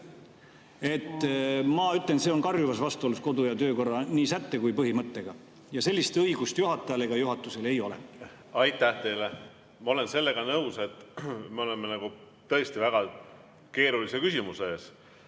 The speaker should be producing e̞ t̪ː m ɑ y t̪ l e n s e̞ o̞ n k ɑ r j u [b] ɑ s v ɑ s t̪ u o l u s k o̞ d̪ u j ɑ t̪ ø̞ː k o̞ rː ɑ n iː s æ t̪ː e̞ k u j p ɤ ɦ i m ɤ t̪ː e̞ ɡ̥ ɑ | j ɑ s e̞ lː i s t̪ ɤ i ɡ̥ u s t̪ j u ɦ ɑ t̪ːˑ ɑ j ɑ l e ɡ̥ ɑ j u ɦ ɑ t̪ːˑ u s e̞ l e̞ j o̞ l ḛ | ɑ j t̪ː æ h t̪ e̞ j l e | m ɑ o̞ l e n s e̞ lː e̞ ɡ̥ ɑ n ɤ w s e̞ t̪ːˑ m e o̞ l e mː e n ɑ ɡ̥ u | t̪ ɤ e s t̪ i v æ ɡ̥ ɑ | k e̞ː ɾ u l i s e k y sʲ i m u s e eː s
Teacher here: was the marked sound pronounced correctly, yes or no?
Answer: no